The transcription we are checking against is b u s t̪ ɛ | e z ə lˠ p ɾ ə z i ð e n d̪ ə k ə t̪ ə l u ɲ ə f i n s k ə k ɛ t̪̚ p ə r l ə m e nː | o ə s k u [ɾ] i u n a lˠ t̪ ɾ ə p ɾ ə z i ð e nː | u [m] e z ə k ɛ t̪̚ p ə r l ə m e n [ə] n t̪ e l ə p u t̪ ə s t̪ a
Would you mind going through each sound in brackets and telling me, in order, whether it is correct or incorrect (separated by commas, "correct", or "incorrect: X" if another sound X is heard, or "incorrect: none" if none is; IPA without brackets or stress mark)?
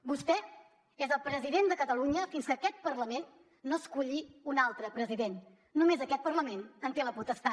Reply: incorrect: ʎ, correct, correct